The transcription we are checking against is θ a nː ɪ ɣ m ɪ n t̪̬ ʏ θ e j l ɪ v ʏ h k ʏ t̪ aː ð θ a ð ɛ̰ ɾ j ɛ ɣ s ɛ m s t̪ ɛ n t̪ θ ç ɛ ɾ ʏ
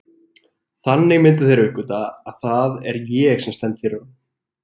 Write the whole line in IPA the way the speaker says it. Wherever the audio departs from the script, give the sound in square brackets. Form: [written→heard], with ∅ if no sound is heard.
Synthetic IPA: θ a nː ɪ ɣ m ɪ n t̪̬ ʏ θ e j [l→ɾ] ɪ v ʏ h k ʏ t̪ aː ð θ a ð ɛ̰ ɾ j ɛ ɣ s ɛ m s t̪ ɛ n t̪ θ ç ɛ ɾ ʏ